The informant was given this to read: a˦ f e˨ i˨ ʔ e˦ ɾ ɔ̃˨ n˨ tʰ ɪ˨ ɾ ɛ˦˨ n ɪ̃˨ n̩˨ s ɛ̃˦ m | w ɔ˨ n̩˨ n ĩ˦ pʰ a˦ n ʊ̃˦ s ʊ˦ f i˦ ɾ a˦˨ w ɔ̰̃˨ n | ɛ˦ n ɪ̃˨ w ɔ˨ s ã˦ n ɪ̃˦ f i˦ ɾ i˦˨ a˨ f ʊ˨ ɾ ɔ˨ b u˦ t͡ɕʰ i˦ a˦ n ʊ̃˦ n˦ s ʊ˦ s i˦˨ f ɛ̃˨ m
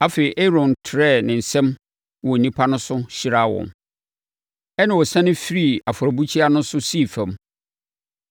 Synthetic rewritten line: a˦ f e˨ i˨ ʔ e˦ ɾ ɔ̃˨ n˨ tʰ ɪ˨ ɾ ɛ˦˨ n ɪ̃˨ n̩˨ s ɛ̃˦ m | w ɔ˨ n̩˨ n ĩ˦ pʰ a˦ n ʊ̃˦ s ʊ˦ ɕ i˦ ɾ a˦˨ w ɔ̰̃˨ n | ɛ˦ n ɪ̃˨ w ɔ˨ s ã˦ n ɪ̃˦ f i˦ ɾ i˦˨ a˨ f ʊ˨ ɾ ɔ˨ b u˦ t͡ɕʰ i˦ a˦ n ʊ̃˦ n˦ s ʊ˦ s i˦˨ f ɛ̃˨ m